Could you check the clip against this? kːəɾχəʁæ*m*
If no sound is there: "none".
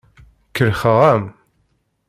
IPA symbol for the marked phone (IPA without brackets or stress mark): m